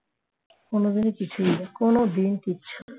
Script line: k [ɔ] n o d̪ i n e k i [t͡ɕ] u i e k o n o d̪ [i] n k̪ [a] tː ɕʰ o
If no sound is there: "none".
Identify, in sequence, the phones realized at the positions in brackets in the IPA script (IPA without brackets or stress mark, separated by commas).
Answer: o, t͡ɕʰ, i, i